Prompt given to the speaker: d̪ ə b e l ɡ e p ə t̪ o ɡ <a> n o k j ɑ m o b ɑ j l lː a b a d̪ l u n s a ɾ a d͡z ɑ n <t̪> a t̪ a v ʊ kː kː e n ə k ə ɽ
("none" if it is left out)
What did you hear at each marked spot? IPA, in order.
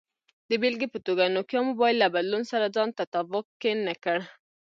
a, t̪

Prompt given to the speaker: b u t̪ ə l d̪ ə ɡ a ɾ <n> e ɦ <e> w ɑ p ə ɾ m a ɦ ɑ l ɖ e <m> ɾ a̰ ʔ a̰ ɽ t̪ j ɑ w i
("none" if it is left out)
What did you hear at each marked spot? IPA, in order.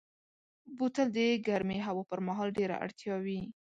m, a, none

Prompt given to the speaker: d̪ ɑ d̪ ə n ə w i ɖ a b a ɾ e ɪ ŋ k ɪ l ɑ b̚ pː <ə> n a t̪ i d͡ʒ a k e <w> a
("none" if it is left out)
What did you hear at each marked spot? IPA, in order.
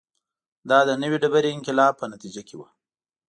ə, w

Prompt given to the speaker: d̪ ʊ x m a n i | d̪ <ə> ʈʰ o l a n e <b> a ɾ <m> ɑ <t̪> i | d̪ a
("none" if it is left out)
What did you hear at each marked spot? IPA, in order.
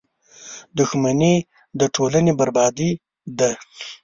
ə, b, b, d̪

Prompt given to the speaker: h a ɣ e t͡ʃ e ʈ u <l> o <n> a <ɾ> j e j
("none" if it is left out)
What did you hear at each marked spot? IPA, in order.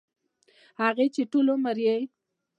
l, m, ɾ

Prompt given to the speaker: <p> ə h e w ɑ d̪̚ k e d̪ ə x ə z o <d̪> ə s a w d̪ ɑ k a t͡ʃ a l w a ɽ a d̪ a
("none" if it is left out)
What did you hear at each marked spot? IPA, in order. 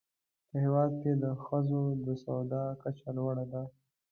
p, d̪

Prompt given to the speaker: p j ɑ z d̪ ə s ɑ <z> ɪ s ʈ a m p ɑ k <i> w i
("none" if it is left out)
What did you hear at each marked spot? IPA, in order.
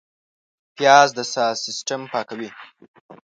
s, a

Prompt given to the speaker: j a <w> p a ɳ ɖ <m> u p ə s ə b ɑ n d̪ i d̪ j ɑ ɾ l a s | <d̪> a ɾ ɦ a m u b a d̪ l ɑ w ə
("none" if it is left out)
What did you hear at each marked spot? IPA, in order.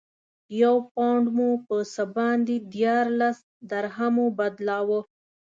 w, m, d̪

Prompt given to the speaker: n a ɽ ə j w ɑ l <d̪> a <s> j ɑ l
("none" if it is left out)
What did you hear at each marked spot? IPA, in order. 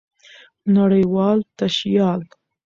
t̪, ʃ

